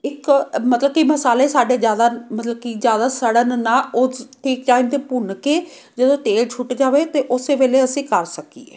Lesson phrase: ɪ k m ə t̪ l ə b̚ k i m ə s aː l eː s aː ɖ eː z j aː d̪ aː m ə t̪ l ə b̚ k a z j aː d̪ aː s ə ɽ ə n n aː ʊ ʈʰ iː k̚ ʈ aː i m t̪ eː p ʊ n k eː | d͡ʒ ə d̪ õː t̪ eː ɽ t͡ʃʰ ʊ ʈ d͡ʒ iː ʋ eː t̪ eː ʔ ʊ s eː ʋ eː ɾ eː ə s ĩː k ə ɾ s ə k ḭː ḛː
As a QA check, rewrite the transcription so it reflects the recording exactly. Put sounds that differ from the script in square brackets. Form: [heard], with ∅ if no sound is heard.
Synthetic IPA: ɪ k m ə t̪ l ə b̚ k i m ə s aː l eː s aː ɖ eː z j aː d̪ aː m ə t̪ l ə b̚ k [i] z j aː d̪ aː s ə ɽ ə n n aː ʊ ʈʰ iː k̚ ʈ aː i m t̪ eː p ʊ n k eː | d͡ʒ ə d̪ õː t̪ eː [l] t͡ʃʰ ʊ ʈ d͡ʒ [aː] ʋ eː t̪ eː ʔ ʊ s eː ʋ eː [l] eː ə s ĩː k ə ɾ s ə k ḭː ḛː